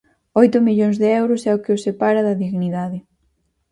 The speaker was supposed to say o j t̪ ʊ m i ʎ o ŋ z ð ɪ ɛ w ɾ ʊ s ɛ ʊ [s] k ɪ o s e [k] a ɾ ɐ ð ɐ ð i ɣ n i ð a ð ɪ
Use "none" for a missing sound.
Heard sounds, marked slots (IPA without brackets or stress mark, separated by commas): none, p